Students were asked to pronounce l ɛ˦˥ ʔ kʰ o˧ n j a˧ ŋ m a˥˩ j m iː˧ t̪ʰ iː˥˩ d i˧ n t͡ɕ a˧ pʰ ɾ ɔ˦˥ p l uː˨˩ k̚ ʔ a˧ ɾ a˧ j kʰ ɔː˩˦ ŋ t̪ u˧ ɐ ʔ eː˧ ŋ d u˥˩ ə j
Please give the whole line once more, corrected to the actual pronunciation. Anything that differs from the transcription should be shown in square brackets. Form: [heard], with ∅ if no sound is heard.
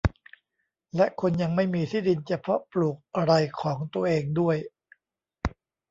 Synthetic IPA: l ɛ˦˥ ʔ kʰ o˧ n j a˧ ŋ m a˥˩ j m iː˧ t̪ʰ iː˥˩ d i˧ n t͡ɕ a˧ pʰ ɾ ɔ˦˥ p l uː˨˩ k̚ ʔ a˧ ɾ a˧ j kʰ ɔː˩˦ ŋ t̪ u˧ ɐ ʔ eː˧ ŋ d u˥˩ ə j

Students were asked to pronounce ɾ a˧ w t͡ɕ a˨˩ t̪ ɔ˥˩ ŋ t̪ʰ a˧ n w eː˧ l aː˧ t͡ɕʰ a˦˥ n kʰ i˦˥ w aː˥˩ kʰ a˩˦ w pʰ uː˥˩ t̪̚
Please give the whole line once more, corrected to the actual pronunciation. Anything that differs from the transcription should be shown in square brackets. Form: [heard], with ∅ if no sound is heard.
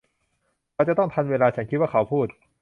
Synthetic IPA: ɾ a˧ w t͡ɕ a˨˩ t̪ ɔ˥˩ ŋ t̪ʰ a˧ n w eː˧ l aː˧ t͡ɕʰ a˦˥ n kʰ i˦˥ w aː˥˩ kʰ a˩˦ w pʰ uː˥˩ t̪̚

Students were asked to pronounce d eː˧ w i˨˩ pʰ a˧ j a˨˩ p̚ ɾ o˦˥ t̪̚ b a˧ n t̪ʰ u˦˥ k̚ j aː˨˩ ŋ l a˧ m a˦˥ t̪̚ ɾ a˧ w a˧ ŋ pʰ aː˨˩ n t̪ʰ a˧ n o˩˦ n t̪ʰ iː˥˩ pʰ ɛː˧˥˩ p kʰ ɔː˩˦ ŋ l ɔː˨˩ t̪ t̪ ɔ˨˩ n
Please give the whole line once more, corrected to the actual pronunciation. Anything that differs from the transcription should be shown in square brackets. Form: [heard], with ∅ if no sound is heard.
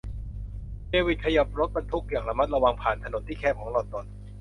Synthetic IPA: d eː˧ w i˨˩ [kʰ] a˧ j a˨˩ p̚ ɾ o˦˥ t̪̚ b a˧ n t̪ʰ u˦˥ k̚ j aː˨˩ ŋ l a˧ m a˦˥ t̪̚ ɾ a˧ w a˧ ŋ pʰ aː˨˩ n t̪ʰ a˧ n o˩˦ n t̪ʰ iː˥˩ [kʰ] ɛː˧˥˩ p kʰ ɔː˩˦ ŋ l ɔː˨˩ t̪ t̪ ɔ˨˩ n

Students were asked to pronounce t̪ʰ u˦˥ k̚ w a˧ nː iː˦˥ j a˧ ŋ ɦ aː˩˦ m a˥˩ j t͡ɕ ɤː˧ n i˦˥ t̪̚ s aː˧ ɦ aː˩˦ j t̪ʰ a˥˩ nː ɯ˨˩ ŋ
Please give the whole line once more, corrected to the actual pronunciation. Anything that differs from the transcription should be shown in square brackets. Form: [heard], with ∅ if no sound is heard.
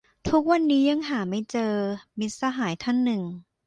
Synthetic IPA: t̪ʰ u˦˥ k̚ w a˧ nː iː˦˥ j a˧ ŋ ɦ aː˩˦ m a˥˩ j t͡ɕ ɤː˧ [m] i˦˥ t̪̚ s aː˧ ɦ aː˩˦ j t̪ʰ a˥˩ nː ɯ˨˩ ŋ

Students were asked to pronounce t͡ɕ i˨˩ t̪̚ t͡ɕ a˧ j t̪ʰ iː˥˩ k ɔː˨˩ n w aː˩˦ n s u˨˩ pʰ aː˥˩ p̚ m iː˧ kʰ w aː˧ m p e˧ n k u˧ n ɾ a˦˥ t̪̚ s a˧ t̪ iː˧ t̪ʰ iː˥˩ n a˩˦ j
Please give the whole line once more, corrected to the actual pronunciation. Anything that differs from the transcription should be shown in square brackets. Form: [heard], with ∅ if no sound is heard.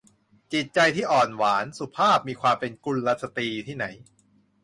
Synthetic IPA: t͡ɕ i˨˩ t̪̚ t͡ɕ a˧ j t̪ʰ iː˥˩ [ʔ] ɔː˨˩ n w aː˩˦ n s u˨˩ pʰ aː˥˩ p̚ m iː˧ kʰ w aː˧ m p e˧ n k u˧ n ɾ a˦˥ t̪̚ s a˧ t̪ iː˧ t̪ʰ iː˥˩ n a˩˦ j

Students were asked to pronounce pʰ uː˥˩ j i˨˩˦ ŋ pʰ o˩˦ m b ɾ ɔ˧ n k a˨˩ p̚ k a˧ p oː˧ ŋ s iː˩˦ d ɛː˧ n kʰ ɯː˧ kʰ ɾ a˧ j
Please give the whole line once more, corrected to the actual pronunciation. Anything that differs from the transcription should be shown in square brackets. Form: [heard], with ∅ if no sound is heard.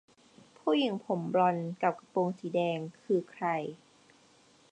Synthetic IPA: pʰ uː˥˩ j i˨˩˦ ŋ pʰ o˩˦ m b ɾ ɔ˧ n k a˨˩ p̚ k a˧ p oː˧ ŋ s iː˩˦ d ɛː˧ [ŋ] kʰ ɯː˧ kʰ ɾ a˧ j

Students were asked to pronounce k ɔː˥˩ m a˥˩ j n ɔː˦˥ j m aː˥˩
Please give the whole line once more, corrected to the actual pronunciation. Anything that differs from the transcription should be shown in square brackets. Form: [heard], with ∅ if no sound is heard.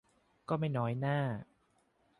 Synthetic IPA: k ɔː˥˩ m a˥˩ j n ɔː˦˥ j [n] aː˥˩

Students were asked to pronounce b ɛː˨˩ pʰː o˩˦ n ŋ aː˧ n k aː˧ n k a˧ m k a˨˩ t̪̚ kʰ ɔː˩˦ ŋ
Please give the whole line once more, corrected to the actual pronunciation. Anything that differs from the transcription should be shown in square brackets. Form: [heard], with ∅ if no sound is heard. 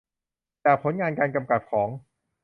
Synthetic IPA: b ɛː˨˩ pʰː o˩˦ n ŋ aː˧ n k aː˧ n k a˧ m k a˨˩ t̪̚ kʰ ɔː˩˦ ŋ

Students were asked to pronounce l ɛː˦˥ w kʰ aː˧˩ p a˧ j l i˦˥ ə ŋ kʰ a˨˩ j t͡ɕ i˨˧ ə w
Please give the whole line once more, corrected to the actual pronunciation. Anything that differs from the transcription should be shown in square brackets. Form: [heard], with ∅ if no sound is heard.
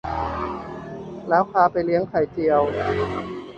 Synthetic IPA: l ɛː˦˥ w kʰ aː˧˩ p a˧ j l i˦˥ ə ŋ kʰ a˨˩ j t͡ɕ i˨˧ ə w

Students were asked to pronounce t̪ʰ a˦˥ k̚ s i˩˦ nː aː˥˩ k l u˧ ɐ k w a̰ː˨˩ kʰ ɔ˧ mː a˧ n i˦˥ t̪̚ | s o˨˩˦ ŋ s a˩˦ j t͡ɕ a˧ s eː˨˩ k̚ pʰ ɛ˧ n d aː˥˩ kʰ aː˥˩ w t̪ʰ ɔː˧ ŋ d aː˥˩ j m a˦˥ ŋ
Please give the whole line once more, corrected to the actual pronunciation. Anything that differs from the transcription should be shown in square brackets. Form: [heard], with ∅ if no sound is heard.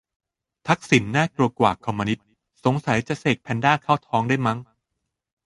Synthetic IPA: t̪ʰ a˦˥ k̚ s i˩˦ nː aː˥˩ k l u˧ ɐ k w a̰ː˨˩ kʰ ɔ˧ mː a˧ n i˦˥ t̪̚ | s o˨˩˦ ŋ s a˩˦ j t͡ɕ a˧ s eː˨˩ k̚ pʰ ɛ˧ n d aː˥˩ kʰ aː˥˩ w t̪ʰ [ɔː˦˥] ŋ d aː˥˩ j m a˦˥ ŋ

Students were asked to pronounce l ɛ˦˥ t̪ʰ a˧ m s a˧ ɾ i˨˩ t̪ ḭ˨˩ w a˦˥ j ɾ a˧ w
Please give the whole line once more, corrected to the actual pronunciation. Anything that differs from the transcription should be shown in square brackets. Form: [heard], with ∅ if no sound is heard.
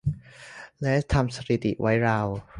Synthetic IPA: l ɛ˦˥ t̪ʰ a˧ m s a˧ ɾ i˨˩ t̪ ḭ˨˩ w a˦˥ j ɾ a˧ w

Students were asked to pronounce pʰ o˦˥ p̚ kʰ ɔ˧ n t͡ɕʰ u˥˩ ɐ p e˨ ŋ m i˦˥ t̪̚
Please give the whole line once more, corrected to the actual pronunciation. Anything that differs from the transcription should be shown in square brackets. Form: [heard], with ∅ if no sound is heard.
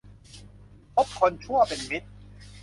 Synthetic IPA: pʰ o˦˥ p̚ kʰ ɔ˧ n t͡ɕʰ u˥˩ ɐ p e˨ [n] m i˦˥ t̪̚

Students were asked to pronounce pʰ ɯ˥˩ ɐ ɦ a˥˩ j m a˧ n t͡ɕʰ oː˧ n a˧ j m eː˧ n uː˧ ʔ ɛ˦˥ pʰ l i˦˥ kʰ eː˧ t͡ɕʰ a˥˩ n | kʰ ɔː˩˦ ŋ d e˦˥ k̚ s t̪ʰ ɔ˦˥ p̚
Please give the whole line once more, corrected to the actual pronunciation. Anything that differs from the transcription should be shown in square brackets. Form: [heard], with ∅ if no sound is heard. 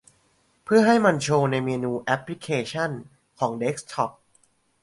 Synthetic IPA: pʰ ɯ˥˩ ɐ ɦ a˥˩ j m a˧ n t͡ɕʰ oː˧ n a˧ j m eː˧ n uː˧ ʔ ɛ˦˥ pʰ l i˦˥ kʰ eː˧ t͡ɕʰ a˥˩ n | kʰ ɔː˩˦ ŋ d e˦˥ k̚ s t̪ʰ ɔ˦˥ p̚

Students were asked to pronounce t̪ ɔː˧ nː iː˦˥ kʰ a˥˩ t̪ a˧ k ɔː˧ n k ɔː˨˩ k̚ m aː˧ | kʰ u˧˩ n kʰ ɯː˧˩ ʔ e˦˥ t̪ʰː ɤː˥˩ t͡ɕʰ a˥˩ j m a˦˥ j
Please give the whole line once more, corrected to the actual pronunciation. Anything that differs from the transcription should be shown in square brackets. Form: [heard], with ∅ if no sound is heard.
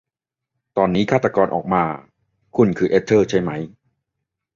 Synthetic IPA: t̪ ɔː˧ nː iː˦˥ kʰ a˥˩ t̪ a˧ k ɔː˧ n [ʔ] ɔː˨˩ k̚ m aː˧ | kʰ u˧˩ n kʰ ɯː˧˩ ʔ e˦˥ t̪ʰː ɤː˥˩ t͡ɕʰ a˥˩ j m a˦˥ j

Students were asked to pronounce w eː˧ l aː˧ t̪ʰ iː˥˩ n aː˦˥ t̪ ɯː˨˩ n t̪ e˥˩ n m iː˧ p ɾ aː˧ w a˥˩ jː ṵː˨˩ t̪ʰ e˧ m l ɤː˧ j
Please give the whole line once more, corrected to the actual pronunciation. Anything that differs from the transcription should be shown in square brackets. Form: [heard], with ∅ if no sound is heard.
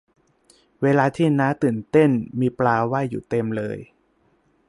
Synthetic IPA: w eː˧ l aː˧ t̪ʰ iː˥˩ n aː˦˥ t̪ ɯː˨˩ n t̪ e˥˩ n m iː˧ p [l] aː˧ w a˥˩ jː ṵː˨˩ [t̪] e˧ m l ɤː˧ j

